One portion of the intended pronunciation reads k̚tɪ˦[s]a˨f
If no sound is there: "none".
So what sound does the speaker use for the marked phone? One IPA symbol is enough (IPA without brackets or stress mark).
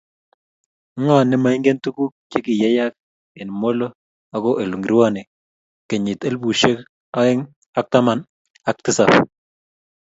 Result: s